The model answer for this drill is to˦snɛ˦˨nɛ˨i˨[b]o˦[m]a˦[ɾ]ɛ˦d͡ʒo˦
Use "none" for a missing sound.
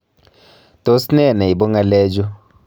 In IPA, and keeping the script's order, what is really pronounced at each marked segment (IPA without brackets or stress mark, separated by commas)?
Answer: b, ŋ, l